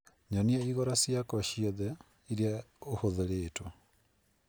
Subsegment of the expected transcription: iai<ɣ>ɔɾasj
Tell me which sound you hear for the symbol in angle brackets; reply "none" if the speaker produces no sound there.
ɣ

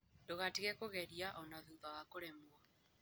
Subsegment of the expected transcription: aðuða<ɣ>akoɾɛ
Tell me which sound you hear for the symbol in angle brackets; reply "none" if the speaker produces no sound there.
ɣ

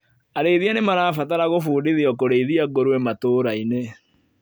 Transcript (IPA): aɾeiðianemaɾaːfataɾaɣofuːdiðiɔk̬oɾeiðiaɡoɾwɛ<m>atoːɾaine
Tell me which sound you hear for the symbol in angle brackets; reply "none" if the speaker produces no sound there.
m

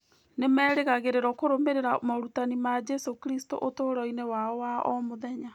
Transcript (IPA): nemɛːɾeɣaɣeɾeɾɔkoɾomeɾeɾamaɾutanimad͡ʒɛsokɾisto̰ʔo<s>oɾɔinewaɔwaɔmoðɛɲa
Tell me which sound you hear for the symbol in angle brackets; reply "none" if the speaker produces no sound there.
t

